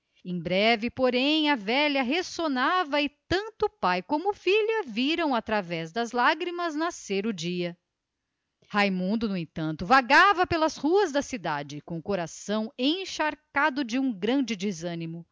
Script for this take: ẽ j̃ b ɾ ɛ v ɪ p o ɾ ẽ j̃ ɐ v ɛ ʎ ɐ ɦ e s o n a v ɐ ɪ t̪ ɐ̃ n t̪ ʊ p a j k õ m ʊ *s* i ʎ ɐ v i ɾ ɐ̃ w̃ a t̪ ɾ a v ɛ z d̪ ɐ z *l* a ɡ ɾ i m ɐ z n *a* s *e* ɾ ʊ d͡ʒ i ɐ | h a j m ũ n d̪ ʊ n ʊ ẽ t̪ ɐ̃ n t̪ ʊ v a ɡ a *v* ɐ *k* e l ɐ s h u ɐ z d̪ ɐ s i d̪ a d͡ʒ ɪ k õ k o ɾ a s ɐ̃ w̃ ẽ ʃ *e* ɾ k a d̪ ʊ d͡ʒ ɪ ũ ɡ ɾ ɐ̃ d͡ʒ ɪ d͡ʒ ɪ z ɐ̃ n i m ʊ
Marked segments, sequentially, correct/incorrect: incorrect, correct, correct, correct, correct, incorrect, incorrect

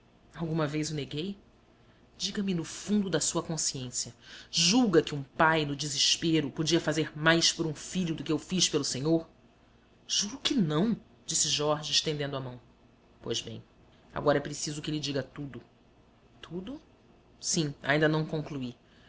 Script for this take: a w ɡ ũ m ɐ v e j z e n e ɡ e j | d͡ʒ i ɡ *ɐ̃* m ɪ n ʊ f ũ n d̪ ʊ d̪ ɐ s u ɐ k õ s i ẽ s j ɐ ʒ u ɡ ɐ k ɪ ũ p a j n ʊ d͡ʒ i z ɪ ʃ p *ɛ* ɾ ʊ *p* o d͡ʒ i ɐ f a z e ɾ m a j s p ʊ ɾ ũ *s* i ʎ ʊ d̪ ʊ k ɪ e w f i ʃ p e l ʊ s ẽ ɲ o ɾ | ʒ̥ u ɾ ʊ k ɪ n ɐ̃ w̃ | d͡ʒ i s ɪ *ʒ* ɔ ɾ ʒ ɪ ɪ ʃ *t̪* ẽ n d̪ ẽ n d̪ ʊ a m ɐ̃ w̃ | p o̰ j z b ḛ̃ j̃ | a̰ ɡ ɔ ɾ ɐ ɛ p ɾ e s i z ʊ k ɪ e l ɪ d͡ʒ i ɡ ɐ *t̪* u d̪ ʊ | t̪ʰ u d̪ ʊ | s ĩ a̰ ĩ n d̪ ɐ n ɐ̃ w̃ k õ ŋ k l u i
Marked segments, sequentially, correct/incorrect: incorrect, incorrect, correct, incorrect, correct, correct, correct

